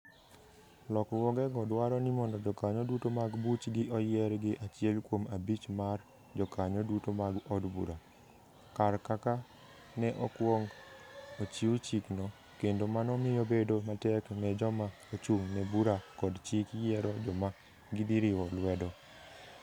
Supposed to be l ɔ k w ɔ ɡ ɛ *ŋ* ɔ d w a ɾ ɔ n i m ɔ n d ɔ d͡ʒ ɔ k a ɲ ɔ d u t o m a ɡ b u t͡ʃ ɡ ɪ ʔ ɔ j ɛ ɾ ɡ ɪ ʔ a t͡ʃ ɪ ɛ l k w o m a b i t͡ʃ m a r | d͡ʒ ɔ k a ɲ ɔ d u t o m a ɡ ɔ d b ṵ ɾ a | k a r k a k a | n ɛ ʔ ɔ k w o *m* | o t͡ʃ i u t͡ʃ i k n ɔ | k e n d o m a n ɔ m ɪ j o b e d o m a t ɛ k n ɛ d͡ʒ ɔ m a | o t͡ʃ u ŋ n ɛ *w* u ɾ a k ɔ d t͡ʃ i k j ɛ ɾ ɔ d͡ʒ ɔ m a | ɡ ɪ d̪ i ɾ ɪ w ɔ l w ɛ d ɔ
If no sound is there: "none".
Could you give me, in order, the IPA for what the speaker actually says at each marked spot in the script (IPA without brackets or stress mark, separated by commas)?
ɡ, ŋ, b